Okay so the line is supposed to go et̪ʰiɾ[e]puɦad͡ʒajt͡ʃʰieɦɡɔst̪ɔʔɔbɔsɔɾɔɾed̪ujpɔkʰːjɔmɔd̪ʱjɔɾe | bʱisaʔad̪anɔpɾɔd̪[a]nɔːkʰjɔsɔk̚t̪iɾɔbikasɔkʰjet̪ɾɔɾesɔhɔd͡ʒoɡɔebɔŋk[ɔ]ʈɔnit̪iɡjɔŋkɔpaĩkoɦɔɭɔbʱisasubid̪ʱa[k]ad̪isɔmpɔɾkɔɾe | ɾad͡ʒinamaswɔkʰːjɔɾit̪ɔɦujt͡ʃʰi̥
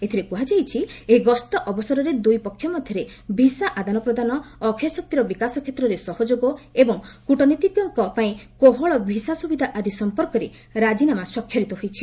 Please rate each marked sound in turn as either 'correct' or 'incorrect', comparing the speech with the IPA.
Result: correct, correct, incorrect: u, incorrect: ʔ

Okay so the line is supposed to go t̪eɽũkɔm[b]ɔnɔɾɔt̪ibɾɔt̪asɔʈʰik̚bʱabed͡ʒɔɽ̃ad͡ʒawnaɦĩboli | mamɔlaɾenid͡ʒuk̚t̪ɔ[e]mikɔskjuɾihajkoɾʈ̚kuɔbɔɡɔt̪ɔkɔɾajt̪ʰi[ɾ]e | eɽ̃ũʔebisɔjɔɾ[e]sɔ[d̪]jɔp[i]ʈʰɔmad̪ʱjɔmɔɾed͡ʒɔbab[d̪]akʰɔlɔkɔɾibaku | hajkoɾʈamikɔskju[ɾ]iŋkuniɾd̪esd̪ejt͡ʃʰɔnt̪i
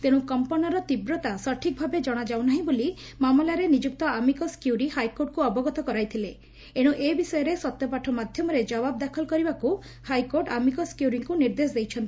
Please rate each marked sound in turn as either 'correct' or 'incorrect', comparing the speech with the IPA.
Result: incorrect: p, incorrect: a, incorrect: l, correct, incorrect: t̪, incorrect: a, correct, correct

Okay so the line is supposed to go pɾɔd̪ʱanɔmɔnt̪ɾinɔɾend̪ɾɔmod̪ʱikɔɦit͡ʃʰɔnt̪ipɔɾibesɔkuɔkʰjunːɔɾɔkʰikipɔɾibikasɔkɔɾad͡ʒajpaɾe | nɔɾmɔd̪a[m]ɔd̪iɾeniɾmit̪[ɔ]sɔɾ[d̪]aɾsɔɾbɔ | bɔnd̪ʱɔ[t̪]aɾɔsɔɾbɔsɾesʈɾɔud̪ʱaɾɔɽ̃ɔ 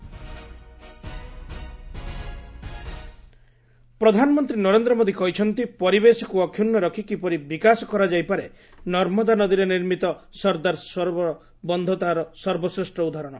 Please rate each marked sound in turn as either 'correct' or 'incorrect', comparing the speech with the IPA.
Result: incorrect: n, correct, correct, correct

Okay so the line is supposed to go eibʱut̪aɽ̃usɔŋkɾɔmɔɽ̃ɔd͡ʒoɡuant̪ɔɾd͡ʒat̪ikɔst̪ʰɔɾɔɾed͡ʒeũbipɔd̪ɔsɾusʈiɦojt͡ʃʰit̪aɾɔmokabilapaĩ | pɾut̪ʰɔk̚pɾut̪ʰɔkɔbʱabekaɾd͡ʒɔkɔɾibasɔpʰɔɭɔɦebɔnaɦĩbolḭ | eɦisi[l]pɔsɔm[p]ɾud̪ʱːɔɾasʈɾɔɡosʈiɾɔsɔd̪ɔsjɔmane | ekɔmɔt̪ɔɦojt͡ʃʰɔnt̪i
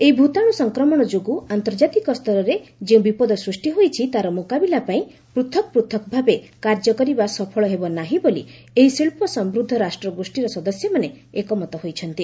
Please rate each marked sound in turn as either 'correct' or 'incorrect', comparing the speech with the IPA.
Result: incorrect: ɭ, incorrect: b

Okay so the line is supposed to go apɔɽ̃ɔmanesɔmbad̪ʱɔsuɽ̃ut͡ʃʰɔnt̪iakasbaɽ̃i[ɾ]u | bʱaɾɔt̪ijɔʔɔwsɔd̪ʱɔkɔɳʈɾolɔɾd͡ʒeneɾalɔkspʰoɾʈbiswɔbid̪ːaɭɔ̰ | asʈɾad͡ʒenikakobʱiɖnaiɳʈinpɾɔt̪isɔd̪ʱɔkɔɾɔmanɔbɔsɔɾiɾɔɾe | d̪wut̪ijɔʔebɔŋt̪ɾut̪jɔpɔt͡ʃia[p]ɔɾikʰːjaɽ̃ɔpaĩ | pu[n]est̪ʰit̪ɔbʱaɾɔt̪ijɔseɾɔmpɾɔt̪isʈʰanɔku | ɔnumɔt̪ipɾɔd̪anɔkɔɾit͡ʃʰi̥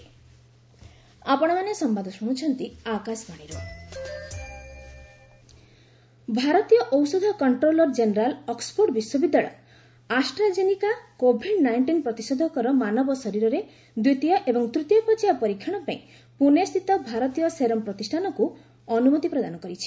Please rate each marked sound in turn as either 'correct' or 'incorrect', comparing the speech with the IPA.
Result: correct, correct, correct

